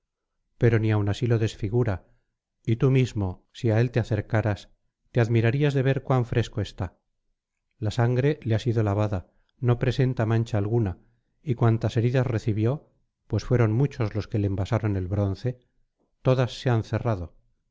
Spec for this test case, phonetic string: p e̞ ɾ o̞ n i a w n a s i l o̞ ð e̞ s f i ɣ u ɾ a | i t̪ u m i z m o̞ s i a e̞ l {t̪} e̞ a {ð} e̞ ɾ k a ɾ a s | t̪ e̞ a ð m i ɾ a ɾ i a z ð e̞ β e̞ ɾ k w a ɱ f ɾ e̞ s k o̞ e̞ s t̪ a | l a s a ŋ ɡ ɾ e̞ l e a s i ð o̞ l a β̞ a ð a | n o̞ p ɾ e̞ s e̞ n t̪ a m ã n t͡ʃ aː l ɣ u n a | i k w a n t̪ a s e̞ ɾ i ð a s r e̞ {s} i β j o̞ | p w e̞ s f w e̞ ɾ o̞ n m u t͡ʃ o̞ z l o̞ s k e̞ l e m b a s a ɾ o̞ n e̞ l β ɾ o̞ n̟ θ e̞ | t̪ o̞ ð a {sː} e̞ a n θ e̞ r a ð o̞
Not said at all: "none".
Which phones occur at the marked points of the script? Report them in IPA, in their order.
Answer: t̪, θ, θ, sː

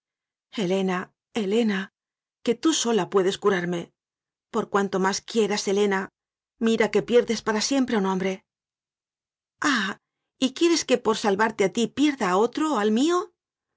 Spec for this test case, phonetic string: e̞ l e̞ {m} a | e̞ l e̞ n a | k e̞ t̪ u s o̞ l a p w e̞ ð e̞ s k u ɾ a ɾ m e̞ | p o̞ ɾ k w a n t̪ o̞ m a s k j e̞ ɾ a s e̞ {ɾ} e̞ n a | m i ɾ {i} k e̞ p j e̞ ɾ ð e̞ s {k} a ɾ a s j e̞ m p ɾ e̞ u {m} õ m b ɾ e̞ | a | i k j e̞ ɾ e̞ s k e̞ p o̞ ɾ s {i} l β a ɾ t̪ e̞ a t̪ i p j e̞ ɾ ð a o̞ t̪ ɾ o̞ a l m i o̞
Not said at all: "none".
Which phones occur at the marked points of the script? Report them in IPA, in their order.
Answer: n, l, a, p, n, a

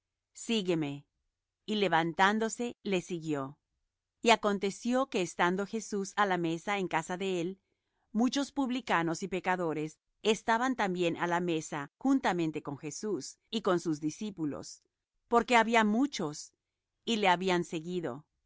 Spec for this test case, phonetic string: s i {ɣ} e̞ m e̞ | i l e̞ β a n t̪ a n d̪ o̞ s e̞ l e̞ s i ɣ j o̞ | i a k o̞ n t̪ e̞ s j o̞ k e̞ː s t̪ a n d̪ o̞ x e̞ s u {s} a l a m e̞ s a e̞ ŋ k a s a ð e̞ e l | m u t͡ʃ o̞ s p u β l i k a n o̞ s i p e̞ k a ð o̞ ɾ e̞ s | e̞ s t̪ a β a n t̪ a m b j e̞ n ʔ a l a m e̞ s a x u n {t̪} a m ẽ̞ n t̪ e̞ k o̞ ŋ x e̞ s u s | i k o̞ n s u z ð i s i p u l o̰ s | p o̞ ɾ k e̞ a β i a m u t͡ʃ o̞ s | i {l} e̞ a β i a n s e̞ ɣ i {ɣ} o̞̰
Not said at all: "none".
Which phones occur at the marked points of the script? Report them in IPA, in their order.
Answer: ɣ, s, t̪, l, ð

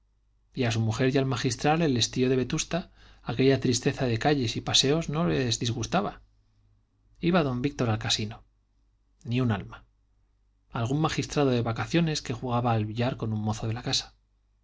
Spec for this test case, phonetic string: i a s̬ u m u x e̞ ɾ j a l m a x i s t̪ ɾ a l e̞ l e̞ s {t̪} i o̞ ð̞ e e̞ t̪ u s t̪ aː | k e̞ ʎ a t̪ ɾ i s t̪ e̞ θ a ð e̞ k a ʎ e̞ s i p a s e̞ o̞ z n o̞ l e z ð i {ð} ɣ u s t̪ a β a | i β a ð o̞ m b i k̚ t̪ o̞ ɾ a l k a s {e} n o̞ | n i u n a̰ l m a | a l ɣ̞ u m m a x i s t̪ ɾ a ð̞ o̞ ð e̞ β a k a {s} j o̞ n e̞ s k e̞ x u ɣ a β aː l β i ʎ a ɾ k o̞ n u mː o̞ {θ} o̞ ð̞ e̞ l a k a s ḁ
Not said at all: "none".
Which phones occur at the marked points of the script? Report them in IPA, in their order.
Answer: t̪, z, i, θ, θ

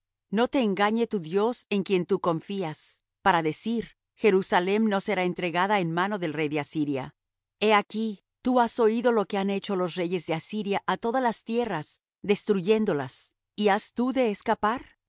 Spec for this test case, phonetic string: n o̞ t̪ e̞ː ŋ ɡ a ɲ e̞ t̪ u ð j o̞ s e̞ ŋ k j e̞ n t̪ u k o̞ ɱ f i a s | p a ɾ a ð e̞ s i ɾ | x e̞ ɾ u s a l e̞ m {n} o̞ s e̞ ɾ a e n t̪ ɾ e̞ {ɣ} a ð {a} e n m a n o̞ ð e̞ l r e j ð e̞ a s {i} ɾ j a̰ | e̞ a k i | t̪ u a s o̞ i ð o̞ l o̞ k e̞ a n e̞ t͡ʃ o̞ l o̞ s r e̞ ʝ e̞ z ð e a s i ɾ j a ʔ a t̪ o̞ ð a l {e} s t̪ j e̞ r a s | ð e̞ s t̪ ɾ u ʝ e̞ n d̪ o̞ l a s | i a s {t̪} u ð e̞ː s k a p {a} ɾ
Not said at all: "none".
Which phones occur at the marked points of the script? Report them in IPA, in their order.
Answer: n, ɣ, a, i, a, t̪, a

